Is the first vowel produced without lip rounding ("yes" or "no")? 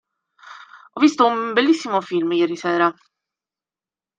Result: no